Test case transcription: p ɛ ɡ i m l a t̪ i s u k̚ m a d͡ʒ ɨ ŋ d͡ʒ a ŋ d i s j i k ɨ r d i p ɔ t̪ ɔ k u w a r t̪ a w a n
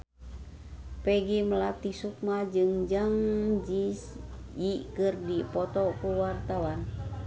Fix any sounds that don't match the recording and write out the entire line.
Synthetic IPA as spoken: p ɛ ɡ i m l a t̪ i s u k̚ m a d͡ʒ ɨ ŋ d͡ʒ a ŋ d͡ʒ i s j i k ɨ r d i p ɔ t̪ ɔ k u w a r t̪ a w a n